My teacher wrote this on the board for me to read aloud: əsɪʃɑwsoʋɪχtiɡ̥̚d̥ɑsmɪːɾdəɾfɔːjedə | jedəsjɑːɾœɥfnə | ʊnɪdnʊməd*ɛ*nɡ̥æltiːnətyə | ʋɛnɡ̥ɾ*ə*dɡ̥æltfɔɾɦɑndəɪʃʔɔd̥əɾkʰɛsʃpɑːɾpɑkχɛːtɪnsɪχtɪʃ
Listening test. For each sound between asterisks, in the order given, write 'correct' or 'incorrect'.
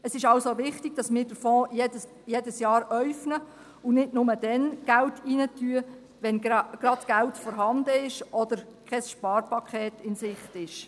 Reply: correct, incorrect: ɑ

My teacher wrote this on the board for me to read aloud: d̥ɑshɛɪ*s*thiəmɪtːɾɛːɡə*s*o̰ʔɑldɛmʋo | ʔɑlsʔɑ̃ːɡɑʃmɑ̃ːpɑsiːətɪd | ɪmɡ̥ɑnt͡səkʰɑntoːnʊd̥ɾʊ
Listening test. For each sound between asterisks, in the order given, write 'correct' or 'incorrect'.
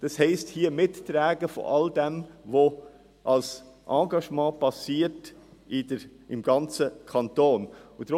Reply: correct, incorrect: f

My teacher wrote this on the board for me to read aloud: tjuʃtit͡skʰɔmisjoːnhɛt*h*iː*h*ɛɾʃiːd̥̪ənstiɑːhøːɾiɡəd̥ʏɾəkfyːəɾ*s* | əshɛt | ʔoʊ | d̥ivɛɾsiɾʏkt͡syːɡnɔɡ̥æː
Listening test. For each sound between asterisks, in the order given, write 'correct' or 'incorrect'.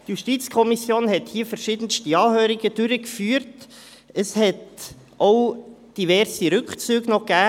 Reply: correct, incorrect: f, incorrect: t

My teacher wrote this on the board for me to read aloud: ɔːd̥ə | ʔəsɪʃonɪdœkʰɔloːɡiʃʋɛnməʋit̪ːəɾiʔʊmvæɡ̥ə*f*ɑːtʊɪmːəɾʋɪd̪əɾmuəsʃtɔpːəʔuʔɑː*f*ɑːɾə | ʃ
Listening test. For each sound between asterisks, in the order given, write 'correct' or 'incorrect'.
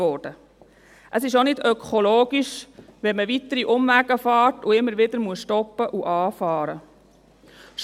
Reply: correct, correct

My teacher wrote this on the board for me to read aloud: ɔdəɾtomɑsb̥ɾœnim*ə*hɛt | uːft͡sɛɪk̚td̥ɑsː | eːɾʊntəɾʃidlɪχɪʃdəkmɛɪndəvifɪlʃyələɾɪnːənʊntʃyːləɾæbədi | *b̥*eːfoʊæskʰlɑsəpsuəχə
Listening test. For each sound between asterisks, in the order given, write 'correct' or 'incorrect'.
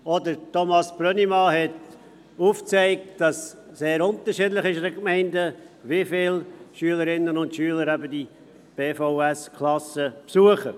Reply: incorrect: ɑ, correct

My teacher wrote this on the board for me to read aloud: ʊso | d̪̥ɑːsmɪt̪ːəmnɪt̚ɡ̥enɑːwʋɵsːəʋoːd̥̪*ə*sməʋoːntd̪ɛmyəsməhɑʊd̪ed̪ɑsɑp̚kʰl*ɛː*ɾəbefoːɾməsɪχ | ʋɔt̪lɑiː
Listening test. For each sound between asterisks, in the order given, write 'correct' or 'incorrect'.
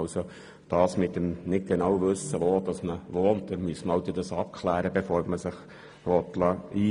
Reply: incorrect: ɑ, incorrect: æː

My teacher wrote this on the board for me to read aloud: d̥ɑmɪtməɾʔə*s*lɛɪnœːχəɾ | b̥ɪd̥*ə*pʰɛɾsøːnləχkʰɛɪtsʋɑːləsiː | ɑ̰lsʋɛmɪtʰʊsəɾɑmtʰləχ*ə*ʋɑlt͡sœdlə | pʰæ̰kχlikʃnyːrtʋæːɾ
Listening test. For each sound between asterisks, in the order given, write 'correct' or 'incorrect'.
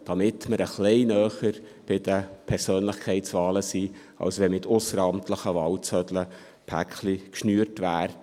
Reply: incorrect: χ, correct, correct

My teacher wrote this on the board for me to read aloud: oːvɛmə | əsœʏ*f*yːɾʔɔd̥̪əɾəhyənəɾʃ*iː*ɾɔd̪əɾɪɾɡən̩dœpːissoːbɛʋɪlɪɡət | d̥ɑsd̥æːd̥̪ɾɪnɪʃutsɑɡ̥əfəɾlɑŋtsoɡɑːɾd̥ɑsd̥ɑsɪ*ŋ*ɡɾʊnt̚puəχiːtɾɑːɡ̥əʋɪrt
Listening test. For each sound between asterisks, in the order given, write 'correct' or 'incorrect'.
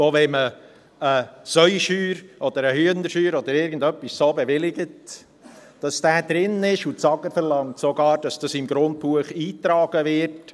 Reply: incorrect: ʃ, incorrect: yː, incorrect: m

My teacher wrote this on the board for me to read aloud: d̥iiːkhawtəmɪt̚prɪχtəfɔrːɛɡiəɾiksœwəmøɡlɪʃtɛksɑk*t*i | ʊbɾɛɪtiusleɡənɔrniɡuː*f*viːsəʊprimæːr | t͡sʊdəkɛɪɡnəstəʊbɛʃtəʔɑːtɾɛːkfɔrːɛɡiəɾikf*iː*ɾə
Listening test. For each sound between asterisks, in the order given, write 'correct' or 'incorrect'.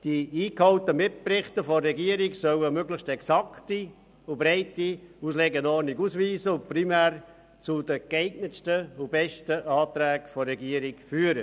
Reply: correct, incorrect: s, incorrect: yː

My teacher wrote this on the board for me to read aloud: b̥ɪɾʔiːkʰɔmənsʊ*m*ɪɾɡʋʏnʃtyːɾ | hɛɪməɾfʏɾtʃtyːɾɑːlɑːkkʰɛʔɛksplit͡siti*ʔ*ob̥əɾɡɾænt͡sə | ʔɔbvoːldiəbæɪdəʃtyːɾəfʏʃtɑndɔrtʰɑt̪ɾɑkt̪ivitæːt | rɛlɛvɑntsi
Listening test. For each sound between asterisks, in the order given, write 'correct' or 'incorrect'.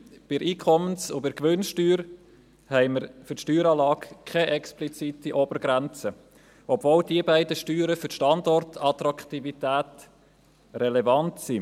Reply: incorrect: b, correct

